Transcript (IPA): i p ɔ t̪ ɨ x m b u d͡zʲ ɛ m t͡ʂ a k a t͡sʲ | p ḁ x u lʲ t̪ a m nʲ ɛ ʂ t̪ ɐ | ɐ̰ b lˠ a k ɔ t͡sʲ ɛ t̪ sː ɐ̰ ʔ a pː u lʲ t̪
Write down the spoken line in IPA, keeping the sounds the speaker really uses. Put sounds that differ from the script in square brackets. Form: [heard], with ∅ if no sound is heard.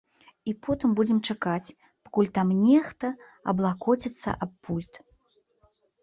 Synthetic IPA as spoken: i p ɔ t̪ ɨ [∅] m b u d͡zʲ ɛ m t͡ʂ a k a t͡sʲ | p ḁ [k] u lʲ t̪ a m nʲ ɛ [x] t̪ ɐ | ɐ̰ b lˠ a k ɔ t͡sʲ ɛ t̪ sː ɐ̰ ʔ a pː u lʲ t̪